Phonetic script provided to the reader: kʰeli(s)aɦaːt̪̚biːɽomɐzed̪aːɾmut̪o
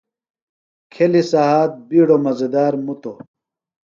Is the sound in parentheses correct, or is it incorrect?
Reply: correct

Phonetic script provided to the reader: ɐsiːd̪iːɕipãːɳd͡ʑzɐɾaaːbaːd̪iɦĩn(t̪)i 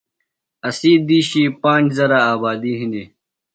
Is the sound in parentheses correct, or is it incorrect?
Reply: incorrect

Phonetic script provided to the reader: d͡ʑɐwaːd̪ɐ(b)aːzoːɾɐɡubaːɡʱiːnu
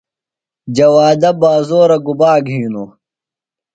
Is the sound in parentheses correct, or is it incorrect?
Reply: correct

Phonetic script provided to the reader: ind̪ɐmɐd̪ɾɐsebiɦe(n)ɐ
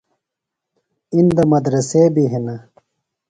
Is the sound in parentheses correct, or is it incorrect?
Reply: correct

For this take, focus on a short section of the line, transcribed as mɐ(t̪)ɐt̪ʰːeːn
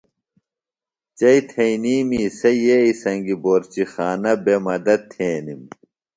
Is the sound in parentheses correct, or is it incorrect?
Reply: incorrect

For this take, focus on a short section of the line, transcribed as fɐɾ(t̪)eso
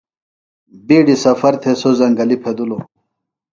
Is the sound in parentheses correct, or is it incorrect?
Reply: incorrect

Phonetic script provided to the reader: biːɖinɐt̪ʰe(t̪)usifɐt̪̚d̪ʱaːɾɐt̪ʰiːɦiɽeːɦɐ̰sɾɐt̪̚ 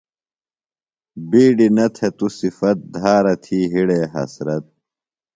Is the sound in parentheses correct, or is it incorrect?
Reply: correct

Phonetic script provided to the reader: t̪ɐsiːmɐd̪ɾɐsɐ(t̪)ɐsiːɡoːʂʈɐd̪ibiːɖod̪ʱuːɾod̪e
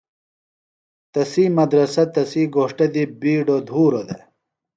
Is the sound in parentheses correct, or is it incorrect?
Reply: correct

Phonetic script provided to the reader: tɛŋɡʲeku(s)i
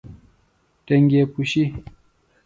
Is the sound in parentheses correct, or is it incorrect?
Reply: incorrect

